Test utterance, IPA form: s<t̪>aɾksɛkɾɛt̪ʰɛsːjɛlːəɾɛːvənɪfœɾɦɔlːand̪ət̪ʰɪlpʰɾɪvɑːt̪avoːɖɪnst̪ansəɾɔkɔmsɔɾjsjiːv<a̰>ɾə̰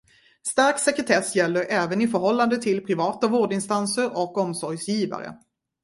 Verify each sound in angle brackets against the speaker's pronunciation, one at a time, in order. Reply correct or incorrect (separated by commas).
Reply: correct, correct